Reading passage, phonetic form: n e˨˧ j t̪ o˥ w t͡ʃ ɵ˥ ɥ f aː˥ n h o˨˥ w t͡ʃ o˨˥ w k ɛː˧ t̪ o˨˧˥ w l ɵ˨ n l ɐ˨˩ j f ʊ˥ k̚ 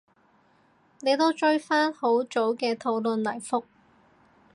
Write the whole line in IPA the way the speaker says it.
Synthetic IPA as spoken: n e˨˧ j t̪ o˥ w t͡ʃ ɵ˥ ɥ f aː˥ n h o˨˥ w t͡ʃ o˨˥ w k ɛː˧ t̪ʰ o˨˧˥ w l ɵ˨ n l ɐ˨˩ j f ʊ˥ k̚